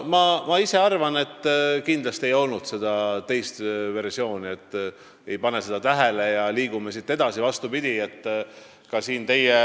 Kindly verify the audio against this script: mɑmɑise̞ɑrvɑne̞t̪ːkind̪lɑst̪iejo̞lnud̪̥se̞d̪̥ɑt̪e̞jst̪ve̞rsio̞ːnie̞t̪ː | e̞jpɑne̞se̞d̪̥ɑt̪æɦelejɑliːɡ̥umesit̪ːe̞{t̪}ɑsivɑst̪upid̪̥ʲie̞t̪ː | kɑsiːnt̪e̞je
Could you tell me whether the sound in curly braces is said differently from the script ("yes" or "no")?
yes